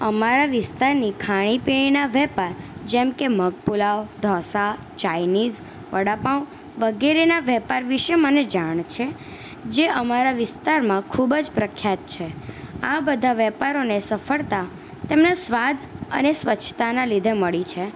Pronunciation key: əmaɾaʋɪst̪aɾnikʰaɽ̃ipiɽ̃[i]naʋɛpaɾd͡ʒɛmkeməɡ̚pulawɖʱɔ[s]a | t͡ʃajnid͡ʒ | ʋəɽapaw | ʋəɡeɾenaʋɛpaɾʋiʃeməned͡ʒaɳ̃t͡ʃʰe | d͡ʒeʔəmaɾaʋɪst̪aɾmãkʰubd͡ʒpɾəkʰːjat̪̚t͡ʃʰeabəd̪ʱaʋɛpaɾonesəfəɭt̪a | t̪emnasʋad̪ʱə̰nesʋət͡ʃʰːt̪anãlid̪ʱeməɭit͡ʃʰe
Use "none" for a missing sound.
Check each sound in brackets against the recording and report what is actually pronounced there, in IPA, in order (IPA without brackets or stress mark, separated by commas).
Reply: i, s